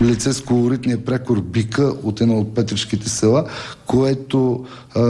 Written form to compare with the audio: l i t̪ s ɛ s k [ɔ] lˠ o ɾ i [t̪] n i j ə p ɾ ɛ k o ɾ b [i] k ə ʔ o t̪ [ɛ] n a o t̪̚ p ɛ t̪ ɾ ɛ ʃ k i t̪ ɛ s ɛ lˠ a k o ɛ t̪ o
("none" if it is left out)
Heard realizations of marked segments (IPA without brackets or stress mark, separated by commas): o, t̪, i, ɛ